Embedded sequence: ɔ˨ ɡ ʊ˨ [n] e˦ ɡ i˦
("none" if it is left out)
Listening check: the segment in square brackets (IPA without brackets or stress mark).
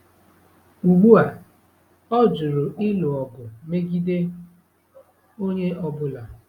m